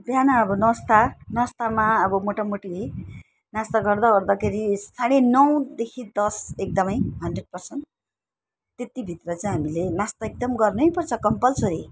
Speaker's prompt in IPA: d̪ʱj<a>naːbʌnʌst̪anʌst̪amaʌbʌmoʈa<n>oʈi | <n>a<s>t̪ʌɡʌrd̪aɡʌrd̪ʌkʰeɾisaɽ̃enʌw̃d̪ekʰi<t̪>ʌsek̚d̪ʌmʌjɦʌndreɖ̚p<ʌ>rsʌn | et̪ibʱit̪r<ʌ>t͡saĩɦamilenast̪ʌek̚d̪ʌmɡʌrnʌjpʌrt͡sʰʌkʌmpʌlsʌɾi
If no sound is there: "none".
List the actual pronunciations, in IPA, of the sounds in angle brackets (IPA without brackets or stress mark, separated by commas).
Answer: a, m, n, s, d̪, ʌ, ʌ